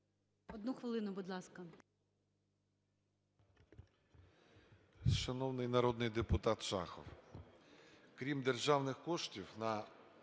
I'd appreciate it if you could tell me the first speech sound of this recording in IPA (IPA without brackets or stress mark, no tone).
ɔ